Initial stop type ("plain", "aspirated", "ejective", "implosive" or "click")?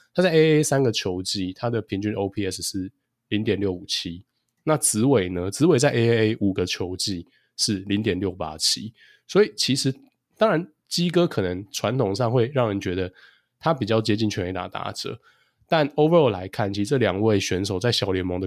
aspirated